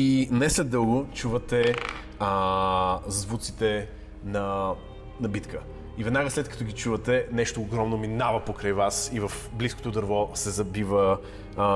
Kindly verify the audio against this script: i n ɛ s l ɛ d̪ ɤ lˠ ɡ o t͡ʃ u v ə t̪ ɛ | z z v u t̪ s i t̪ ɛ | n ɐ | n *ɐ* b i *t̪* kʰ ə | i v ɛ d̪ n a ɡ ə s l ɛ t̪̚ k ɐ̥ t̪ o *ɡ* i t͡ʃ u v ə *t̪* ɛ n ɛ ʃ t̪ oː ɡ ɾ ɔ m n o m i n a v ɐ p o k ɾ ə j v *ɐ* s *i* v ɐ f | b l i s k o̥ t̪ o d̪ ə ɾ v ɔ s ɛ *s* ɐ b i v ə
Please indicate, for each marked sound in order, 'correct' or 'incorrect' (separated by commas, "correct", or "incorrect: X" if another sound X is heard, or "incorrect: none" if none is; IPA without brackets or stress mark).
correct, correct, correct, correct, incorrect: a, correct, incorrect: z